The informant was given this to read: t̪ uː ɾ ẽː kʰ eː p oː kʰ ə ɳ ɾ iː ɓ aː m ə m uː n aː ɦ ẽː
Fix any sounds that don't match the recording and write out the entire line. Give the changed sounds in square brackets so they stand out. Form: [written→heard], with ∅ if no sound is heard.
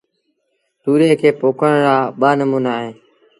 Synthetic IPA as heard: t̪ uː ɾ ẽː kʰ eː p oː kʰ ə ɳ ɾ [iː→aː] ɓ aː [m→n] ə m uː n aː ɦ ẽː

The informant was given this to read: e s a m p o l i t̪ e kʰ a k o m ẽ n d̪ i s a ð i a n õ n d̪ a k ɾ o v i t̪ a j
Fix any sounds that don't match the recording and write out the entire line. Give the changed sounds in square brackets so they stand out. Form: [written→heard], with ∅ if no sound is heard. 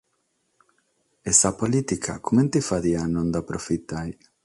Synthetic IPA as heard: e s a [m→∅] p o l i t̪ [e→i] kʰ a k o m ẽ n [d̪→t̪] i [s→f] a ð i a n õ n d̪ a [k→p] ɾ o [v→f] i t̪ a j

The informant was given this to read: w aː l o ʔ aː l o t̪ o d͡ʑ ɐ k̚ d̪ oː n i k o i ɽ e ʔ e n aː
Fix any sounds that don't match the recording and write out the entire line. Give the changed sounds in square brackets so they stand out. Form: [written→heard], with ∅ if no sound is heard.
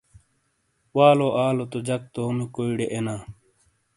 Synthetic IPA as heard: w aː l o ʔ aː l o t̪ o d͡ʑ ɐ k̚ [d̪→t̪] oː [n→m] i k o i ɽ e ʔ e n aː

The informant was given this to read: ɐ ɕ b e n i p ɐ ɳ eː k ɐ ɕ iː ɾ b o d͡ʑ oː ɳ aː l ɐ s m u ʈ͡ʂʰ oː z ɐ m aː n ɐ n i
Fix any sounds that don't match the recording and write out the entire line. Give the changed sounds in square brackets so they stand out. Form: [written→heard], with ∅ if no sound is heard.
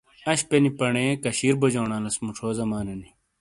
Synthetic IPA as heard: ɐ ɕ [b→p] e n i p ɐ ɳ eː k ɐ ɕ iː ɾ b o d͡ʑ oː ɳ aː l ɐ s m u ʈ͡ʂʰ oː z ɐ m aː n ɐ n i

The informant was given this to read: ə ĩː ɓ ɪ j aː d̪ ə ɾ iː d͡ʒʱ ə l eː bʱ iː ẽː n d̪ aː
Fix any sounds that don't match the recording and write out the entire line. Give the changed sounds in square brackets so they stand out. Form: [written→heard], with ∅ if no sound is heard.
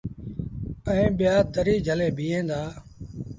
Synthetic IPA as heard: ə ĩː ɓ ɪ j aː [d̪→t̪] ə ɾ iː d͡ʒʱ ə l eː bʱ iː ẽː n d̪ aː

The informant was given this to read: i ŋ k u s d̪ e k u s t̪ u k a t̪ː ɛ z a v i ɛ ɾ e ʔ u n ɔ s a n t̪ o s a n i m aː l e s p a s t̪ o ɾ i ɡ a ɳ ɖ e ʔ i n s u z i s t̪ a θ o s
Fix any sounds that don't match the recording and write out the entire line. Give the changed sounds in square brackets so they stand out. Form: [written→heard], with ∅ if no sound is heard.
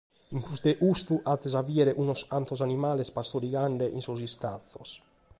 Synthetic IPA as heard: i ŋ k u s d̪ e [k→ʔ] u s t̪ u [k→ʔ] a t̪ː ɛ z a v i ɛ ɾ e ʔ u n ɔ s a n t̪ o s a n i m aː l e s p a s t̪ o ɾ i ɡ a ɳ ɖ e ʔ i n s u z i s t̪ a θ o s

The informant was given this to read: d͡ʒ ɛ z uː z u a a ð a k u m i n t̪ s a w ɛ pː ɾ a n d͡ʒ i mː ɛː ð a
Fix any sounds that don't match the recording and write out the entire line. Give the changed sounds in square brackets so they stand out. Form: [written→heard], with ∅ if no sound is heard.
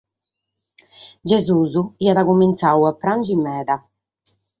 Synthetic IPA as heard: d͡ʒ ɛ z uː z u [a→i] a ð a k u m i n t̪ s a w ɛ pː ɾ a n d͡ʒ i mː ɛː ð a

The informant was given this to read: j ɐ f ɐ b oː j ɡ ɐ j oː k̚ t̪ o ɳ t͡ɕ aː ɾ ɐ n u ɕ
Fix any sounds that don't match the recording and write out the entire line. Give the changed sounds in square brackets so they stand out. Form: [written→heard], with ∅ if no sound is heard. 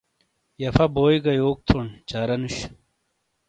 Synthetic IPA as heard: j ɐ f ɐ b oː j ɡ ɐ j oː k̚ [t̪→t̪ʰ] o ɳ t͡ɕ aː ɾ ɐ n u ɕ

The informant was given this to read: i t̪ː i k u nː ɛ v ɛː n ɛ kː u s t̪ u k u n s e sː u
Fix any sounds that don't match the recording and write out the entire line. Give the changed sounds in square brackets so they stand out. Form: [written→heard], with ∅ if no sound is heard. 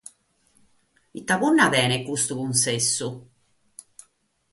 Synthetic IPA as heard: i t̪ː [i→a] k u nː [ɛ→a] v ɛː n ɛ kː u s t̪ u k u n s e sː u

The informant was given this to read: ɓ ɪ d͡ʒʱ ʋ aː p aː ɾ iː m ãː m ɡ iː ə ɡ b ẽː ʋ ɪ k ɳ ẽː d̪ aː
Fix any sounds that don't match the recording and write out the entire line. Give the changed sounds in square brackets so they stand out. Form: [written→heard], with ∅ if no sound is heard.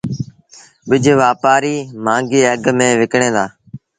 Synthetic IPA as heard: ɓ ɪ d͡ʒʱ ʋ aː p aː ɾ iː m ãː [m→ŋ] ɡ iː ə ɡ [b→m] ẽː ʋ ɪ k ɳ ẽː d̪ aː

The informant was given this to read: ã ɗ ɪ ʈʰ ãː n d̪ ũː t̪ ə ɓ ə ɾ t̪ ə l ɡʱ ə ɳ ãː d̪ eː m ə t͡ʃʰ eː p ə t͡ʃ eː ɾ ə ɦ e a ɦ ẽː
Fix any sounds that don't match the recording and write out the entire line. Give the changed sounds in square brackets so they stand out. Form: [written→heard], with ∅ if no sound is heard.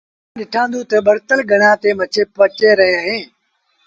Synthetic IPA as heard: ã ɗ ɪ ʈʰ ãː n d̪ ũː t̪ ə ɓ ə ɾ t̪ ə l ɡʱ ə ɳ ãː [d̪→t̪] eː m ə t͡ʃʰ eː p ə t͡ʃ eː ɾ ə ɦ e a ɦ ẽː

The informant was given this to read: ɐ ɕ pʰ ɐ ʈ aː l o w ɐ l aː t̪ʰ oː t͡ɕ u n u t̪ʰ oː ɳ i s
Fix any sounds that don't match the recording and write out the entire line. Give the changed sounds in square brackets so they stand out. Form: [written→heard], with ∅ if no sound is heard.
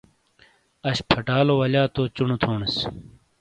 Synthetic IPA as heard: ɐ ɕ pʰ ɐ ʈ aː l o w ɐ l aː [t̪ʰ→t̪] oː t͡ɕ u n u t̪ʰ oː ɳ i s

